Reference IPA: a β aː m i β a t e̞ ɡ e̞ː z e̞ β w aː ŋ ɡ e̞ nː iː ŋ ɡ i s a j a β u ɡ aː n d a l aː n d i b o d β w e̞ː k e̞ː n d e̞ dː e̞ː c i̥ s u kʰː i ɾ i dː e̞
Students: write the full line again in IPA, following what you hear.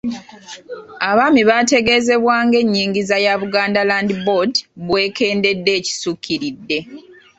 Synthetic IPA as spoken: a β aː m i β a t e̞ ɡ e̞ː z e̞ β w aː ŋ ɡ e̞ ɲː iː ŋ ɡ i z a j a β u ɡ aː n d a l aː n d i b o d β w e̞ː k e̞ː n d e̞ dː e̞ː c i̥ s u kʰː i ɾ i dː e̞